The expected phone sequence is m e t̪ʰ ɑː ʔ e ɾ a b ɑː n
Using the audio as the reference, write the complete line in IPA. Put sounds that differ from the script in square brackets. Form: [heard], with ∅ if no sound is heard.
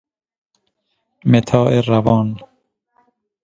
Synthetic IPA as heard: m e t̪ʰ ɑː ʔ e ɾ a [v] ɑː n